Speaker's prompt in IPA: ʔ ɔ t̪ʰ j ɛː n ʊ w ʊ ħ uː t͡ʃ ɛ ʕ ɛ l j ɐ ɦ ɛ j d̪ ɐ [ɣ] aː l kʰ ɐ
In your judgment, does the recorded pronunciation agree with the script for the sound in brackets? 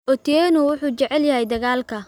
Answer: yes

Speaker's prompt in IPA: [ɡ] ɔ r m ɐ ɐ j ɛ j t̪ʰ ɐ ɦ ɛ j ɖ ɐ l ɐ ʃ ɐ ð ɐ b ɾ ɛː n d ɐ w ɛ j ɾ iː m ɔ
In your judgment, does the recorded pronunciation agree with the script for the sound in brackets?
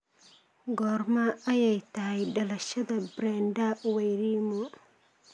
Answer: yes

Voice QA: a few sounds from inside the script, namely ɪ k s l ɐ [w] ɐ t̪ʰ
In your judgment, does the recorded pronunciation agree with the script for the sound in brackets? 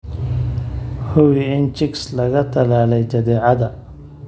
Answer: no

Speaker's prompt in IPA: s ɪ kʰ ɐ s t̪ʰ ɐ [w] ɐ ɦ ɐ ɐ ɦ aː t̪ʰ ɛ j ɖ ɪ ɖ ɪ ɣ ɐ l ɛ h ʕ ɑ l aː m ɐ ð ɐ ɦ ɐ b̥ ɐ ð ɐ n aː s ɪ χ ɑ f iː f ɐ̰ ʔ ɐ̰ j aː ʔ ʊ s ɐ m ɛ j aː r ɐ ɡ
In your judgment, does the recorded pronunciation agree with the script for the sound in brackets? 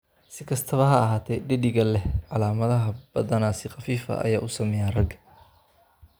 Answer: no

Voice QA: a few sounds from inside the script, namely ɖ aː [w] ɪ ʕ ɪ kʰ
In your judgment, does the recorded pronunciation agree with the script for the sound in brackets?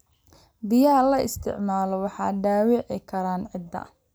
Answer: yes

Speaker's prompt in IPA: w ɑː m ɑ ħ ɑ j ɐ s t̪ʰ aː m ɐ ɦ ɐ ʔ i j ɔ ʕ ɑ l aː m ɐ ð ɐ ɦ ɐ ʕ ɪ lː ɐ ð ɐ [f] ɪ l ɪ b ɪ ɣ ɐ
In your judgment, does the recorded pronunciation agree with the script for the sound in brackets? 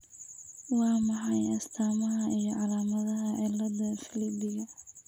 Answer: yes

